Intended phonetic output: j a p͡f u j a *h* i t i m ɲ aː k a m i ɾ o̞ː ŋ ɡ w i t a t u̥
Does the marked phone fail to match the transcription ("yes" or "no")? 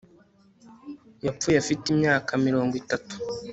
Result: yes